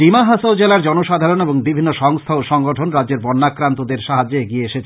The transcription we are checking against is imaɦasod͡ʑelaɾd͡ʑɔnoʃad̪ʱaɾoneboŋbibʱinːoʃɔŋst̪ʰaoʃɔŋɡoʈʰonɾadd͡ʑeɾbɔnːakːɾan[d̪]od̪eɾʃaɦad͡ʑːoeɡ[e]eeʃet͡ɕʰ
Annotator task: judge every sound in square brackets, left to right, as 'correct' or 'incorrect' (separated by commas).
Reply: incorrect, incorrect